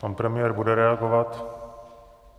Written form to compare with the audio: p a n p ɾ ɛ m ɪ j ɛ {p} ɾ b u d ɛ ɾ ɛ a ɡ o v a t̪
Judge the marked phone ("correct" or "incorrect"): incorrect